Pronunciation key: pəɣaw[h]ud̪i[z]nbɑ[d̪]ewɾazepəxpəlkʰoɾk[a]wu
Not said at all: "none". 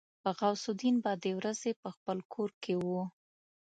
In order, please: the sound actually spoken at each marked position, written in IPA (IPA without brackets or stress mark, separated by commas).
s, none, d̪, e